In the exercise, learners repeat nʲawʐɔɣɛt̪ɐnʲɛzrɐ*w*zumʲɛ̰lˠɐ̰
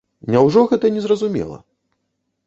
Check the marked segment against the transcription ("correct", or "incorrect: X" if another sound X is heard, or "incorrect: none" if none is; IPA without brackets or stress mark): incorrect: none